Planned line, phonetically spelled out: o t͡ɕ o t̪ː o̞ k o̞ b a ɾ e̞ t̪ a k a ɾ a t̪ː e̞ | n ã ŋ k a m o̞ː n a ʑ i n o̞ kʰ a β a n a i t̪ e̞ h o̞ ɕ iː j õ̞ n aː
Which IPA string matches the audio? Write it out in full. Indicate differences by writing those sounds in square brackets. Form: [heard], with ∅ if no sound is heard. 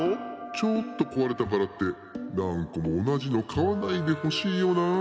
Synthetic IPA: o t͡ɕ o t̪ː o̞ k o̞ [β] a ɾ e̞ t̪ a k a ɾ a t̪ː e̞ | n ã ŋ k a m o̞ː n a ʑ i n o̞ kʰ a β a n a i [d̪] e̞ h o̞ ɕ iː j [o̞] n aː